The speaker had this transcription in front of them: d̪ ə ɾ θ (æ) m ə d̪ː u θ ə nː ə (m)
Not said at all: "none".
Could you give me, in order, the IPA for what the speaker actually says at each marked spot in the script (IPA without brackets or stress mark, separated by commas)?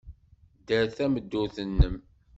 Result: æ, m